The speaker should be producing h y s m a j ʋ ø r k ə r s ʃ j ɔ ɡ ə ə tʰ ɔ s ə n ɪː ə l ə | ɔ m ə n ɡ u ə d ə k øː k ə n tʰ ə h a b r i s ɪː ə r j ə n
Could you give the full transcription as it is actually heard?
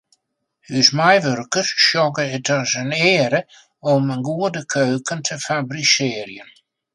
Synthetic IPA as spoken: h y s m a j ʋ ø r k ə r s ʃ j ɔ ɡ ə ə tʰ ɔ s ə n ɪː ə ɾ ə | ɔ m ə n ɡ u ə d ə kʰ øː k ə n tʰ ə f a b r i s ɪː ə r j ə n